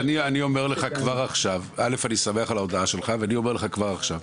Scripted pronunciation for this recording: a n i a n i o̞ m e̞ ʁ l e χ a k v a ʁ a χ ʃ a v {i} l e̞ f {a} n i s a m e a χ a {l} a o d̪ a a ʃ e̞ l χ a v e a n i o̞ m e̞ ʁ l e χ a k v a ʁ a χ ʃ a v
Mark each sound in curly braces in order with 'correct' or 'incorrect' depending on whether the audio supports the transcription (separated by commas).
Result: incorrect, correct, correct